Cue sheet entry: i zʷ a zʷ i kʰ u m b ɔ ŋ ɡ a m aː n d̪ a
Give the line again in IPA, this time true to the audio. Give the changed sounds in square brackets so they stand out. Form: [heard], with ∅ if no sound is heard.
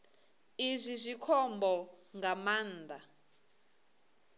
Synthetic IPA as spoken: i zʷ [i] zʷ i kʰ [ɔ] m b ɔ ŋ ɡ a m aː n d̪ a